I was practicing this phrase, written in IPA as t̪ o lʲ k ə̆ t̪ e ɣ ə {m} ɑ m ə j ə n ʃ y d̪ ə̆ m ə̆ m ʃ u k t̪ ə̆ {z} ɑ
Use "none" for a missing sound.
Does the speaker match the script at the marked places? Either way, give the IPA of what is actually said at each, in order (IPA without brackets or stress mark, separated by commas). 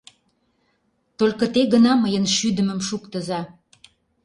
n, z